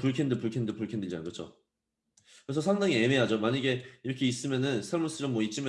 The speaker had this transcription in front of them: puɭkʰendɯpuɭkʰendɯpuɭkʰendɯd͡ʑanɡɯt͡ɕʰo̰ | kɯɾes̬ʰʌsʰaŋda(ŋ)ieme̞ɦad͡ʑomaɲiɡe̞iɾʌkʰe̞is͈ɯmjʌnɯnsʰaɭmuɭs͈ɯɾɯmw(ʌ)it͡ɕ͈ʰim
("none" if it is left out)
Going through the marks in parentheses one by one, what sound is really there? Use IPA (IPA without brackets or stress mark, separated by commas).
ŋ, ʌ